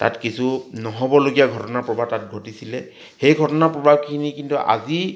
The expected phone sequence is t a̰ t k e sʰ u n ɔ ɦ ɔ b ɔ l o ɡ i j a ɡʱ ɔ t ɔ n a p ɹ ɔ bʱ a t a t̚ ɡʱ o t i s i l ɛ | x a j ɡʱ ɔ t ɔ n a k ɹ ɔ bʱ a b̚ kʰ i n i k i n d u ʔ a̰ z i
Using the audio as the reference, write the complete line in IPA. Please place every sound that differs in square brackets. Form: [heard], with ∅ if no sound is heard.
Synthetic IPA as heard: t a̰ t k [i] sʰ u n ɔ ɦ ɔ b ɔ l o ɡ i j a ɡʱ ɔ t ɔ n a p ɹ ɔ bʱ a t a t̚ ɡʱ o t i s i l ɛ | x [e] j ɡʱ ɔ t ɔ n a [p] ɹ ɔ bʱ a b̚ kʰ i n i k i n [t] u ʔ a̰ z i